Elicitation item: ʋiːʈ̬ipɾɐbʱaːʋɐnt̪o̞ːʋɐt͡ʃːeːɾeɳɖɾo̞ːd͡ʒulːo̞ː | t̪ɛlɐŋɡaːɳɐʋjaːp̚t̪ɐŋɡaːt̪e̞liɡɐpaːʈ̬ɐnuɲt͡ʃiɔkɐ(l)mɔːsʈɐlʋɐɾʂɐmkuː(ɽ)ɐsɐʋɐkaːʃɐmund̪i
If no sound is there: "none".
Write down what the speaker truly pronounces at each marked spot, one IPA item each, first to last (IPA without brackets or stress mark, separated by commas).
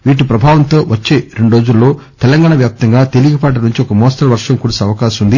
none, ɽ